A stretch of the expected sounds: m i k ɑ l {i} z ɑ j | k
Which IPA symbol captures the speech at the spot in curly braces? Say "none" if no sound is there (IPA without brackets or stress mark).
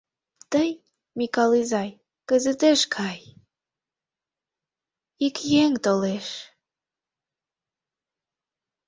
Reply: i